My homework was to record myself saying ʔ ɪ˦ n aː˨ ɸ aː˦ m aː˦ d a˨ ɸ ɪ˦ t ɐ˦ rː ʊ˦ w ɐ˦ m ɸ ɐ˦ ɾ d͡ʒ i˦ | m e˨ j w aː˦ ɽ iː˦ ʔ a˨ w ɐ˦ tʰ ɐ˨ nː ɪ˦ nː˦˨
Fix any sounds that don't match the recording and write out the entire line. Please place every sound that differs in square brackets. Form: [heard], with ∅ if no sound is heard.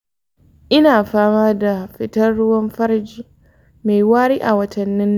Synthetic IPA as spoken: ʔ ɪ˦ n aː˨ ɸ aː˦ m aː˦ d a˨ ɸ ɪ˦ t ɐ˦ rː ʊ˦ w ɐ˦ m ɸ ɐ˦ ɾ d͡ʒ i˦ | m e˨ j w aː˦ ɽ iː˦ ʔ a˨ w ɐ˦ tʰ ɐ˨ nː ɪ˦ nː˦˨